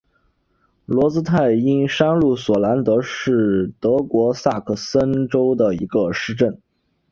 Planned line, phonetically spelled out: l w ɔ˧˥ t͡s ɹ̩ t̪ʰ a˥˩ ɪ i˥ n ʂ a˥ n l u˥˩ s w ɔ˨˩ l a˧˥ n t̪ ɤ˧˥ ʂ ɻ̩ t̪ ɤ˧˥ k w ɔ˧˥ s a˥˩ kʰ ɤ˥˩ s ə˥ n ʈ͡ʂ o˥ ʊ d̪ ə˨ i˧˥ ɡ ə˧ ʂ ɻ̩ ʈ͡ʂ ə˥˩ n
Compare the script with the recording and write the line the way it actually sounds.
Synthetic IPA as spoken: l w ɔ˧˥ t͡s ɹ̩ t̪ʰ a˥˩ ɪ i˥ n ʂ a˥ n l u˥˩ s w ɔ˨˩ l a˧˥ n t̪ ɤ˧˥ ʂ ɻ̩ t̪ ɤ˧˥ k w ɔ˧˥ s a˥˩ kʰ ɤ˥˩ s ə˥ n ʈ͡ʂ o˥ ʊ d̪ ə˨ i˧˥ ɡ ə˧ ʂ ɻ̩ ʈ͡ʂ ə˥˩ n